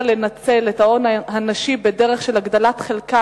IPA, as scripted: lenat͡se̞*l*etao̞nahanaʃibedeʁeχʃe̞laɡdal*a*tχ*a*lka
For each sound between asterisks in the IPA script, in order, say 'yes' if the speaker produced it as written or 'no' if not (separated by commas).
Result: yes, yes, no